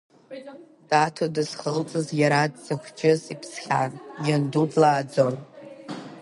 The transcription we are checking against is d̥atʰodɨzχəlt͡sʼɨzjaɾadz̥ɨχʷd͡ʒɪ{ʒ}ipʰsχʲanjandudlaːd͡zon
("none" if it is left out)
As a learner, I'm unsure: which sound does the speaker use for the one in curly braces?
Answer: z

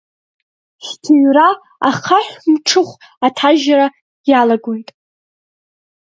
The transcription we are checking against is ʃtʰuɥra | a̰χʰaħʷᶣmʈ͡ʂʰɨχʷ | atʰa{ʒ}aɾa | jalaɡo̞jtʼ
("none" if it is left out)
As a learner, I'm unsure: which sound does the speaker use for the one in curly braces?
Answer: ʒ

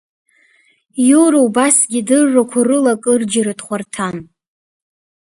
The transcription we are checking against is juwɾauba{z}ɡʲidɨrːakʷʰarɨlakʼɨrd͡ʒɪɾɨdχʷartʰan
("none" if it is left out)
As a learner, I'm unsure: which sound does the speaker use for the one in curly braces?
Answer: s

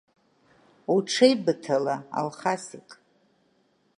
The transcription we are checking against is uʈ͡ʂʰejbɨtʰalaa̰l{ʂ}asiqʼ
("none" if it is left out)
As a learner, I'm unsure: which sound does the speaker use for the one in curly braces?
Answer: χ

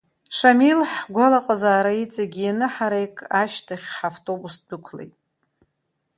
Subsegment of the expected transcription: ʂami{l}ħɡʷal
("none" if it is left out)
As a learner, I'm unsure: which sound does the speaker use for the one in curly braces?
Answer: l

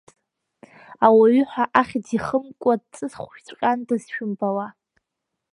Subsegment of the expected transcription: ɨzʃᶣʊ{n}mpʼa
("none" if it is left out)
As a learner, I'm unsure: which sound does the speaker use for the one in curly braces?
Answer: none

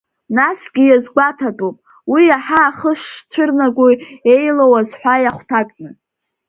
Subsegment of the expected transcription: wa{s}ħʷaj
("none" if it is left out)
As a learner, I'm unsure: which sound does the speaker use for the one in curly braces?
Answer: z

